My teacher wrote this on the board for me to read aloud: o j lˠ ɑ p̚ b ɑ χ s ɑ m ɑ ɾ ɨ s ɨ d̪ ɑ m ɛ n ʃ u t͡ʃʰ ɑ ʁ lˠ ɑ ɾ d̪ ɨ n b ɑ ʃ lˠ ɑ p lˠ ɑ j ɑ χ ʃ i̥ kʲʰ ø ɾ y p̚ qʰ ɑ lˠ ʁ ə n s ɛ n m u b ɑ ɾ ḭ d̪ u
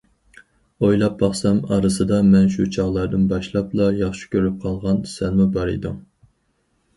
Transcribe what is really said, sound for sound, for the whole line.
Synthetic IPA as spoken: o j lˠ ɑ p̚ b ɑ χ s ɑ m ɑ ɾ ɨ s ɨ d̪ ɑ m ɛ n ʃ u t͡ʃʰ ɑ ʁ lˠ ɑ ɾ d̪ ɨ n b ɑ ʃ lˠ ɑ p lˠ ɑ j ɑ χ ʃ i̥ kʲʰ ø ɾ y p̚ qʰ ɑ lˠ ʁ ɑ n s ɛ n m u b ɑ ɾ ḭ d̪ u

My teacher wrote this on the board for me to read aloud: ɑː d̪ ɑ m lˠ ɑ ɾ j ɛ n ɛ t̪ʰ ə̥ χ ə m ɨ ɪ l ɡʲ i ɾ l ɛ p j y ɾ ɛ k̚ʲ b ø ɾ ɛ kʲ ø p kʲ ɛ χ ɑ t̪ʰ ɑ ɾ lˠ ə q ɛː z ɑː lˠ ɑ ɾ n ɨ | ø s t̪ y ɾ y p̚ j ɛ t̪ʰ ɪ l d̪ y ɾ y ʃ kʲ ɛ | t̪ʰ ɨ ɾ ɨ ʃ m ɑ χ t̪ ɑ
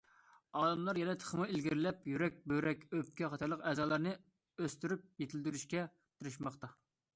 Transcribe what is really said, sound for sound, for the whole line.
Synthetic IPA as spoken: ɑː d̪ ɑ m lˠ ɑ ɾ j ɛ n ɛ t̪ʰ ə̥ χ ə m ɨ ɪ l ɡʲ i ɾ l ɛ p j y ɾ ɛ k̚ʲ b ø ɾ ɛ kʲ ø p kʲ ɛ χ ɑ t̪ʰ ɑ ɾ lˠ ə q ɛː z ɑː lˠ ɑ ɾ n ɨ | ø s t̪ y ɾ y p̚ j e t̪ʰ ɪ l d̪ y ɾ y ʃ kʲ ɛ | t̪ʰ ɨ ɾ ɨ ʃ m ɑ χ t̪ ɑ

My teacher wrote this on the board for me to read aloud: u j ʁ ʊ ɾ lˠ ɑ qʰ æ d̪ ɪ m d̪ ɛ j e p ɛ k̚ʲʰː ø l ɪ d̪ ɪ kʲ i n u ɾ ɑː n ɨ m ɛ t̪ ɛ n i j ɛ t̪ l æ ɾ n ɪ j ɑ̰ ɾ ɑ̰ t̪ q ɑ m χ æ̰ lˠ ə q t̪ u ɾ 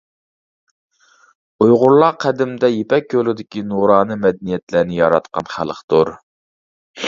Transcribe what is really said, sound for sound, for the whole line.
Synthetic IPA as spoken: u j ʁ ʊ ɾ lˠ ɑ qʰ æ d̪ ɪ m d̪ ɛ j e p ɛ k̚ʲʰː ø l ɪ d̪ ɪ kʲ i n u ɾ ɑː n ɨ m ɛ d̪ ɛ n i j ɛ t̪ l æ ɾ n ɪ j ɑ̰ ɾ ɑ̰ t̪ q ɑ n χ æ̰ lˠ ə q t̪ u ɾ

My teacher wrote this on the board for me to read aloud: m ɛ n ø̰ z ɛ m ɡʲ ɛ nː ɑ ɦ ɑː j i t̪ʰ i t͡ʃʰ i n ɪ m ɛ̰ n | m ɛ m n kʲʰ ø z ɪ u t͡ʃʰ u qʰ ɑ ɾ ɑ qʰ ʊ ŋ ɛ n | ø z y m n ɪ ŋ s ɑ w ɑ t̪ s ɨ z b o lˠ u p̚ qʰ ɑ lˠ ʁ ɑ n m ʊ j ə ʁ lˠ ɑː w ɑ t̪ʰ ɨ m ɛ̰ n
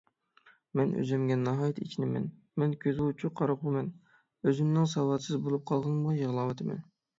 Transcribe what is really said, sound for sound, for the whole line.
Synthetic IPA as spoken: m ɛ n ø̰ z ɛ m ɡʲ ɛ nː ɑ ɦ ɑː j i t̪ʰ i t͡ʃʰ i n ɪ m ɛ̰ n | m ɛ n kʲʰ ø z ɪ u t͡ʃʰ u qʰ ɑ ɾ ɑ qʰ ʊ m ɛ n | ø z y m n ɪ ŋ s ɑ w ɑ t̪ s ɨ z b o lˠ u p̚ qʰ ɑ lˠ ʁ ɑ n m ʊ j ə ʁ lˠ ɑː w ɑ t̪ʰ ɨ m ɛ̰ n

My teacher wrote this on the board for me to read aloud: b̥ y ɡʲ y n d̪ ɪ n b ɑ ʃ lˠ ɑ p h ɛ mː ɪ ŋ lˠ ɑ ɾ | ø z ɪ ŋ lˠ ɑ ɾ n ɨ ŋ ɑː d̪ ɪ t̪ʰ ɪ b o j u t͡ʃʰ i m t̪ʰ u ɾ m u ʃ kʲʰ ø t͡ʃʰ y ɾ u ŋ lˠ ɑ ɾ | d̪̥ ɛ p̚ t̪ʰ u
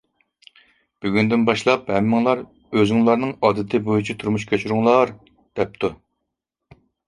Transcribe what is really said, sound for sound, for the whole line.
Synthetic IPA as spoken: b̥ y ɡʲ y n d̪ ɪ n b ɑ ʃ lˠ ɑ p h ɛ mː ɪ ŋ lˠ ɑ ɾ | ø z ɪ ŋ lˠ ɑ ɾ n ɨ ŋ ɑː d̪ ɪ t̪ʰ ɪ b o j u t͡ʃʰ i t̪ʰ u ɾ m u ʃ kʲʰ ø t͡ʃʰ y ɾ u ŋ lˠ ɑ ɾ | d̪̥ ɛ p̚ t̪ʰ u

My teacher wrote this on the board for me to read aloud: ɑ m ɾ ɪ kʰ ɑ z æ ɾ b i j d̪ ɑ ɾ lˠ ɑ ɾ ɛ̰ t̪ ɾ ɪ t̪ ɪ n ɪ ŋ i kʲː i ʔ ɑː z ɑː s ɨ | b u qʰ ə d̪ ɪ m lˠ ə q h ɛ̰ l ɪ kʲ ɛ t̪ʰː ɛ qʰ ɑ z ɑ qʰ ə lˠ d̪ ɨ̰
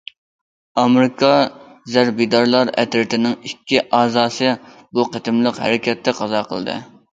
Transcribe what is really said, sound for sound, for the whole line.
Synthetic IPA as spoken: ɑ m ɾ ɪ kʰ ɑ z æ ɾ b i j d̪ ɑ ɾ lˠ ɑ ɾ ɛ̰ t̪ ɾ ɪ t̪ ɪ n ɪ ŋ i kʲː i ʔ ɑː z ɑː s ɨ | b u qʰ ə t̪ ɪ m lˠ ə q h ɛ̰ ɾ ɪ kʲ ɛ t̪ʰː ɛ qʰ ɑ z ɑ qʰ ə lˠ d̪ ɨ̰

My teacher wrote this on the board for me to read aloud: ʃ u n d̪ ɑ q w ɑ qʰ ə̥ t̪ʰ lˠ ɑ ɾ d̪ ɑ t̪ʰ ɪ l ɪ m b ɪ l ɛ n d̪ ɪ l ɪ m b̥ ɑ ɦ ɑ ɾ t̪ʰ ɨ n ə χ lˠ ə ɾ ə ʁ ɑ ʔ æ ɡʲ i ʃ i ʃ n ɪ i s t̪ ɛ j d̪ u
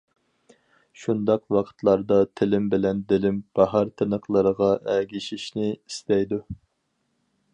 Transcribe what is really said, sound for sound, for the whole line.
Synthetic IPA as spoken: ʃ u n d̪ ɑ q w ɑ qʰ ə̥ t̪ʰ lˠ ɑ ɾ d̪ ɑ t̪ʰ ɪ l ɪ m b ɪ l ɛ n d̪ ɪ l ɪ m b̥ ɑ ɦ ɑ ɾ t̪ʰ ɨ n ə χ lˠ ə ɾ ə ʁ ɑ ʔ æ ɡʲ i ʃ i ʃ n ɪ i s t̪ ɛ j d̪ u

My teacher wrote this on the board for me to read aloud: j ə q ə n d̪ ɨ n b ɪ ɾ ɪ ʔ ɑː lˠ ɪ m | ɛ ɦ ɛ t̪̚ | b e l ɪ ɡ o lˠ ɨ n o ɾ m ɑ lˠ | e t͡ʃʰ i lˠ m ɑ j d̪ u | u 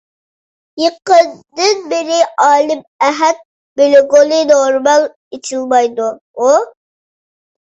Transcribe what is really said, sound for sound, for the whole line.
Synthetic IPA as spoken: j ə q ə n d̪ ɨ n b ɪ ɾ ɪ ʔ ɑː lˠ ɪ m | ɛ ɦ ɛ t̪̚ | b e l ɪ ɡ o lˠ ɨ n o ɾ m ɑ lˠ | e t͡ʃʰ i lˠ m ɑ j d̪ u | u

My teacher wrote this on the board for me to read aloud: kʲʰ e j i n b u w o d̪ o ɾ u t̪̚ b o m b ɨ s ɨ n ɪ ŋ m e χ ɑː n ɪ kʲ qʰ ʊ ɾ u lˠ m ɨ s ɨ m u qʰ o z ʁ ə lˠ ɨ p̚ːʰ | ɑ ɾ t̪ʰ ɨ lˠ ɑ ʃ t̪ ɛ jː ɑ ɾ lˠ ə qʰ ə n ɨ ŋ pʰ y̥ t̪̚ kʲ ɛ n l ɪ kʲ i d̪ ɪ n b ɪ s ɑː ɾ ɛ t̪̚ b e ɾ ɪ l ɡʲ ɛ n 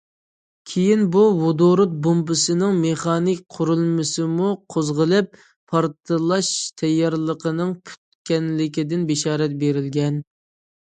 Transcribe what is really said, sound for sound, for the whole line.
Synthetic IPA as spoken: kʲʰ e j i n b u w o d̪ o ɾ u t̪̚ b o m b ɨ s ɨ n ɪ ŋ m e χ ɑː n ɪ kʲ qʰ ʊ ɾ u lˠ m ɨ s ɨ m u qʰ o z ʁ ə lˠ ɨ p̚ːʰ | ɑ ɾ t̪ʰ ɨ lˠ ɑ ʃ t̪ʰ ɛ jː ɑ ɾ lˠ ə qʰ ə n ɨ ŋ pʰ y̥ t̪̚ kʲ ɛ n l ɪ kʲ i d̪ ɪ n b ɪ ʃ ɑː ɾ ɛ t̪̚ b e ɾ ɪ l ɡʲ ɛ n

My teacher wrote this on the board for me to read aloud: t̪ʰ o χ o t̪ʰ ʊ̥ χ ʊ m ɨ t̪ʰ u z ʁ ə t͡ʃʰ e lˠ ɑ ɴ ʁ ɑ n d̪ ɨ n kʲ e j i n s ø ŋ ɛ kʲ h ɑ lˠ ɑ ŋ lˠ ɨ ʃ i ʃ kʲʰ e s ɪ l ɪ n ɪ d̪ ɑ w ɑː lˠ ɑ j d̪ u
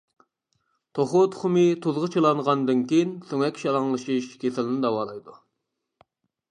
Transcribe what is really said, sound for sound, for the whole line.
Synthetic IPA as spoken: t̪ʰ o χ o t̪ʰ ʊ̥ χ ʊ m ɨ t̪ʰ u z ʁ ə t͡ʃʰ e lˠ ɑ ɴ ʁ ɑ n d̪ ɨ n kʲ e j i n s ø ŋ ɛ kʲ ʃ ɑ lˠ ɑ ŋ lˠ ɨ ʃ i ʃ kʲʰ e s ɪ l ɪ n ɪ d̪ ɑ w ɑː lˠ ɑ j d̪ u

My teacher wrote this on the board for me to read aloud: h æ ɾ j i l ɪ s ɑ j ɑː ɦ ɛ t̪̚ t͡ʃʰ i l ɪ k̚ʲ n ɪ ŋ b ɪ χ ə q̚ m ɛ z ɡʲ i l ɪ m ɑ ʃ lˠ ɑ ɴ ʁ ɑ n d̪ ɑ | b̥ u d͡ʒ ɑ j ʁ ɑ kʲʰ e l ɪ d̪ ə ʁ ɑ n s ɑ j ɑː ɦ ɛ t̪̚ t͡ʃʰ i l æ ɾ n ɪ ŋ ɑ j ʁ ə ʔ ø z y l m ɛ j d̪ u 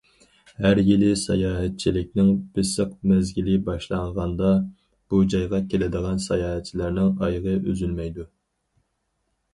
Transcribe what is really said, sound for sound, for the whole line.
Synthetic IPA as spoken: h æ ɾ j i l ɪ s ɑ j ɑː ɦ ɛ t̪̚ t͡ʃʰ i l ɪ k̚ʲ n ɪ ŋ b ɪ s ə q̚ m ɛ z ɡʲ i l ɪ b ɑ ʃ lˠ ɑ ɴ ʁ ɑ n d̪ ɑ | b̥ u d͡ʒ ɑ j ʁ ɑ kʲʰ e l ɪ d̪ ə ʁ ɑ n s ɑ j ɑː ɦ ɛ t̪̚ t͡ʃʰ i l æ ɾ n ɪ ŋ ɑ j ʁ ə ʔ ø z y l m ɛ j d̪ u

